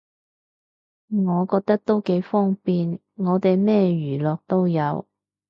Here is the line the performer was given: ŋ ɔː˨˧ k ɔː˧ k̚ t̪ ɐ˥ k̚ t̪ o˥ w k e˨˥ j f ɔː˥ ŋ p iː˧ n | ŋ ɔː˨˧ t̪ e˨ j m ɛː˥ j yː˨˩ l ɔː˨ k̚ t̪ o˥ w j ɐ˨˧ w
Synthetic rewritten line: ŋ ɔː˨˧ k ɔː˧ k̚ t̪ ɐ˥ k̚ t̪ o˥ w k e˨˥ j f ɔː˥ ŋ p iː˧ n | ŋ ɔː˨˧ t̪ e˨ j m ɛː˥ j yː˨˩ l ɔː˨ k̚ t̪ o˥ w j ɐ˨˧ w